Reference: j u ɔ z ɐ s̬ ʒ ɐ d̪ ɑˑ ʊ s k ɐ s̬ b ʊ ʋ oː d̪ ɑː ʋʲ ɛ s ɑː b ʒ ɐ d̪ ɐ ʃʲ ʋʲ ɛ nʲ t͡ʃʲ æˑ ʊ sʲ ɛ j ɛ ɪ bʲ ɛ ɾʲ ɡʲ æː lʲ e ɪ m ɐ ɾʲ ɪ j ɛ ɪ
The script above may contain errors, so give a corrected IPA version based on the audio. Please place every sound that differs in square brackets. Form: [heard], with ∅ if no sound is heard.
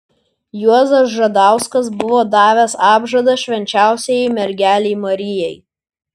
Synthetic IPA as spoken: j u ɔ z ɐ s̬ ʒ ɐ d̪ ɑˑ ʊ s k ɐ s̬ b ʊ ʋ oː d̪ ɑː ʋʲ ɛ s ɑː b ʒ ɐ d̪ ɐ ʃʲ ʋʲ ɛ nʲ t͡ʃʲ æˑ ʊ sʲ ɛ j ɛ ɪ [mʲ] ɛ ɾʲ ɡʲ æː lʲ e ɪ m ɐ ɾʲ ɪ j ɛ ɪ